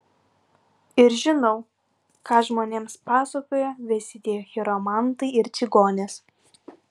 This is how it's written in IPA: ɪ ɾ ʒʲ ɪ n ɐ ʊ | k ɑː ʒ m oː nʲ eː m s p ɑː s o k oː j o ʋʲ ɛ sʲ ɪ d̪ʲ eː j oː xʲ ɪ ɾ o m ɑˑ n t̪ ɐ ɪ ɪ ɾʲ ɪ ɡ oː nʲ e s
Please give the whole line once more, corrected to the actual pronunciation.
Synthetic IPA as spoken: ɪ ɾ ʒʲ ɪ n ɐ ʊ | k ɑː ʒ m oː nʲ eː m s p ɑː s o k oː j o ʋʲ ɛ sʲ ɪ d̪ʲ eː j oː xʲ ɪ ɾ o m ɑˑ n t̪ ɐ ɪ ɪ ɾʲ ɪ ɡ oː nʲ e s

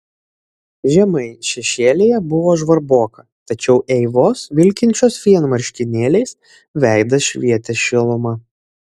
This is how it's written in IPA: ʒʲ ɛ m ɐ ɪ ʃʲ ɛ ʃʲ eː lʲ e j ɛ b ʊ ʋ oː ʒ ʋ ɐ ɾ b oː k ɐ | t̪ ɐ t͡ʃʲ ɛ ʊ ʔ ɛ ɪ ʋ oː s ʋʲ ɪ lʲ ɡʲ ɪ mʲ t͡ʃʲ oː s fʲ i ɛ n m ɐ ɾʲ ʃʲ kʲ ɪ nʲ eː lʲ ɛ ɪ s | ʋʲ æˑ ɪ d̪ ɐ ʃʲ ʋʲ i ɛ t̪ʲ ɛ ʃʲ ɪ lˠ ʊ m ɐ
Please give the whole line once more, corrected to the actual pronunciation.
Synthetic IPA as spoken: ʒʲ ɛ m ɐ ɪ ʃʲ ɛ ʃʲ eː lʲ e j ɛ b ʊ ʋ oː ʒ ʋ ɐ ɾ b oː k ɐ | t̪ ɐ t͡ʃʲ ɛ ʊ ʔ ɛ ɪ ʋ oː s ʋʲ ɪ lʲ kʲ ɪ nʲ t͡ʃʲ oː s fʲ i ɛ n m ɐ ɾʲ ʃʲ kʲ ɪ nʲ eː lʲ ɛ ɪ s | ʋʲ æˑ ɪ d̪ ɐ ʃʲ ʋʲ i ɛ t̪ʲ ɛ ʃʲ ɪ lˠ ʊ m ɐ

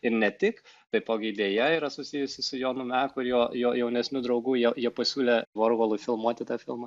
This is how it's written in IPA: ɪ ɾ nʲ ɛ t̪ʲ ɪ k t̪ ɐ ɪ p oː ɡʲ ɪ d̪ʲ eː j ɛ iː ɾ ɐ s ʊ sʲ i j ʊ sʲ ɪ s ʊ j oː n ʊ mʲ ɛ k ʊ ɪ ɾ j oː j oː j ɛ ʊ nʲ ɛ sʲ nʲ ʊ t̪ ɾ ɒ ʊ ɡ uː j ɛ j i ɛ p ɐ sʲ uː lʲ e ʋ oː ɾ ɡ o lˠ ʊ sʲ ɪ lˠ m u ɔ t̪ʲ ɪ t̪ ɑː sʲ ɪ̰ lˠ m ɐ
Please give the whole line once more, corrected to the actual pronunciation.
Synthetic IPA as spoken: ɪ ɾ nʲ ɛ t̪ʲ ɪ k t̪ ɐ ɪ p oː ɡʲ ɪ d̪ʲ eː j ɛ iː ɾ ɐ s ʊ sʲ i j ʊ sʲ ɪ s ʊ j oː n ʊ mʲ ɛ k ʊ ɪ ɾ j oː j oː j ɛ ʊ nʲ ɛ sʲ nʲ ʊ d̪ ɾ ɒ ʊ ɡ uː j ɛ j i ɛ p ɐ sʲ uː lʲ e ʋ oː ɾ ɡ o lˠ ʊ fʲ ɪ lˠ m u ɔ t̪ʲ ɪ t̪ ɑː fʲ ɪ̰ lˠ m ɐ

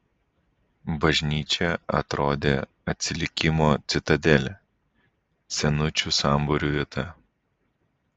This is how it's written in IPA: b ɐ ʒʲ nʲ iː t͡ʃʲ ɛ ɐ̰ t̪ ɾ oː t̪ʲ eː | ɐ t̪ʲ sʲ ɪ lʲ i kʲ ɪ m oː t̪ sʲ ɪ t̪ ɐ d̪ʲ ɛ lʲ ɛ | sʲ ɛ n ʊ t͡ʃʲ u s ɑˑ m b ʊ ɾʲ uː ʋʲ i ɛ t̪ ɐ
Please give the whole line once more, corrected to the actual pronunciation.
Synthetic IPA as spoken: b ɐ ʒʲ nʲ iː t͡ʃʲ ɛ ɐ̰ t̪ ɾ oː d̪ʲ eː | ɐ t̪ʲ sʲ ɪ lʲ ɪ kʲ ɪ m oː t̪ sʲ ɪ t̪ ɐ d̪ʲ ɛ lʲ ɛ | sʲ ɛ n ʊ t͡ʃʲ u s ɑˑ m b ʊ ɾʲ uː ʋʲ i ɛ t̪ ɐ

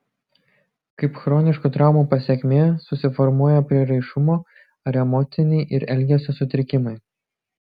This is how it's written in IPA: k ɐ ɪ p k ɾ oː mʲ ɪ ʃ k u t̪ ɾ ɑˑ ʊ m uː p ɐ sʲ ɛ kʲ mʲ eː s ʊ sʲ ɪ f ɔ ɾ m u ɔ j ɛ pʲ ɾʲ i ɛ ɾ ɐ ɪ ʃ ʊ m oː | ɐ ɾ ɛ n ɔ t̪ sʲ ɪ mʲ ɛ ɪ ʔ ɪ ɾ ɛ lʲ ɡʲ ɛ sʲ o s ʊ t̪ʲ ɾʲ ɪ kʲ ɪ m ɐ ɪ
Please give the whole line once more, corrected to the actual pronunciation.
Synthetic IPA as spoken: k ɐ ɪ p x ɾ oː nʲ ɪ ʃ k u t̪ ɾ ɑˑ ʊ m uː p ɐ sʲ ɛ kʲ mʲ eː s ʊ sʲ ɪ f ɔ ɾ m u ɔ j ɛ pʲ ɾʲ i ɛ ɾ ɐ ɪ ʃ ʊ m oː | ɐ ɾ ɛ m ɔ t̪ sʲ ɪ nʲ ɛ ɪ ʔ ɪ ɾ ɛ lʲ ɡʲ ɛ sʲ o s ʊ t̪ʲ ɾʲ ɪ kʲ ɪ m ɐ ɪ

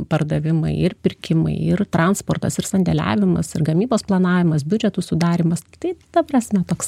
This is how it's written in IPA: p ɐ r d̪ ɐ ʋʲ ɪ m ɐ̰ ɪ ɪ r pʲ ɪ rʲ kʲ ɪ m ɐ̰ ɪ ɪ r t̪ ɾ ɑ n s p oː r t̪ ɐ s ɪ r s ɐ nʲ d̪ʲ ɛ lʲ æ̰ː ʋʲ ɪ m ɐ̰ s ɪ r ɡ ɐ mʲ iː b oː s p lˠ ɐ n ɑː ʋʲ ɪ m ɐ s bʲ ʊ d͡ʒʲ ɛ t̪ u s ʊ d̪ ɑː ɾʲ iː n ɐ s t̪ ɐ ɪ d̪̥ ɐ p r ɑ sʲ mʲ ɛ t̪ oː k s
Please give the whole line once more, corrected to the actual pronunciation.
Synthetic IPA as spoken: p ɐ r d̪ ɐ ʋʲ ɪ m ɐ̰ ɪ ɪ r pʲ ɪ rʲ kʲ ɪ m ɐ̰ ɪ ɪ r t̪ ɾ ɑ n s p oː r t̪ ɐ s ɪ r s ɐ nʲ d̪ʲ ɛ lʲ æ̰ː ʋʲ ɪ m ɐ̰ s ɪ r ɡ ɐ mʲ iː b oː s p lˠ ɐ n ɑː ʋʲ ɪ m ɐ s bʲ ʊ d͡ʒʲ ɛ t̪ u s ʊ d̪ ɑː ɾʲ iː m ɐ s t̪ ɐ ɪ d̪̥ ɐ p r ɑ sʲ mʲ ɛ t̪ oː k s

